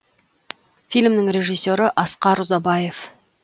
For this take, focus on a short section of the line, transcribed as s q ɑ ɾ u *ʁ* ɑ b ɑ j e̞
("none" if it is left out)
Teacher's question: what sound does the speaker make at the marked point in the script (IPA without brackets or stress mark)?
z